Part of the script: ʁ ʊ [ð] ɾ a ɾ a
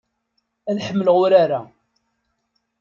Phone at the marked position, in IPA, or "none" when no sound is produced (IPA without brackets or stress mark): none